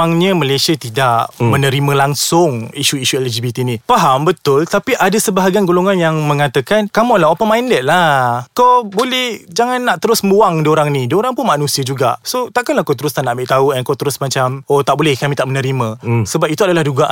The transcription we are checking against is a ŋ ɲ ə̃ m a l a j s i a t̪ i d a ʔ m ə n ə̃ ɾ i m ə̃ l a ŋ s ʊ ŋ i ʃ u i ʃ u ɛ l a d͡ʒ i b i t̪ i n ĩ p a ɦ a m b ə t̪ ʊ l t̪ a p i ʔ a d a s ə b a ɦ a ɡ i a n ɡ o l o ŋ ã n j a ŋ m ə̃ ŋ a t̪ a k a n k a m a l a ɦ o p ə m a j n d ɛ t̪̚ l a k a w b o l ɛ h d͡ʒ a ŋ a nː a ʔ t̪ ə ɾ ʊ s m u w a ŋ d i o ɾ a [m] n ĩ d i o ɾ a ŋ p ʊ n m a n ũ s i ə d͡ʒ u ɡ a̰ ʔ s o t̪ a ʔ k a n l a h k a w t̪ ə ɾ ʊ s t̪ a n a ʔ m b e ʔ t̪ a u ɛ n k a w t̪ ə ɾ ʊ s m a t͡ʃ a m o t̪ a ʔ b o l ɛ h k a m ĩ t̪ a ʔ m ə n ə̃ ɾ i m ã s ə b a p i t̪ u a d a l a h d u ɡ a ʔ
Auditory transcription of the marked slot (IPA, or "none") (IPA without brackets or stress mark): ŋ